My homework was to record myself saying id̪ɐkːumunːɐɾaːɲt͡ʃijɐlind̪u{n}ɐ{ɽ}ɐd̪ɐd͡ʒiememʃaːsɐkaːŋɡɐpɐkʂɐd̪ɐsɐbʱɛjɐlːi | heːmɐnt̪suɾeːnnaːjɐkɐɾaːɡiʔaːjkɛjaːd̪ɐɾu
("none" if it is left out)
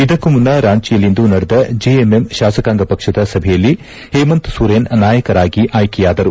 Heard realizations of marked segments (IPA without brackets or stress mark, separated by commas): n, ɽ